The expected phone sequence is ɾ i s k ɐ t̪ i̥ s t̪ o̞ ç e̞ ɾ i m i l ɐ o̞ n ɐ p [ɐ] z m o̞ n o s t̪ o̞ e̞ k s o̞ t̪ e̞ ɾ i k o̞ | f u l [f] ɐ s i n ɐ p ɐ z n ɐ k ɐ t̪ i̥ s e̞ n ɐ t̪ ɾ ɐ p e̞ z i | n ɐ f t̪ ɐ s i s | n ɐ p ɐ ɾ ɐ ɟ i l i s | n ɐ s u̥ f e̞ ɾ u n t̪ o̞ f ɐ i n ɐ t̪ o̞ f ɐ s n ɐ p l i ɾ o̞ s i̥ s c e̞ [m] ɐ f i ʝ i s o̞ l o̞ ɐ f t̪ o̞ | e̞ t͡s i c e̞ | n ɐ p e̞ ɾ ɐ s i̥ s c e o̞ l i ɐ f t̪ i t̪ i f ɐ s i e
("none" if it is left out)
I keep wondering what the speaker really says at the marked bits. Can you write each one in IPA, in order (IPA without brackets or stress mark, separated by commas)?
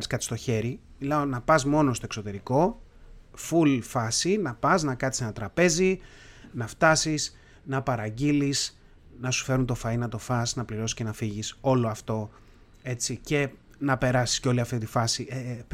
ɐ, f, n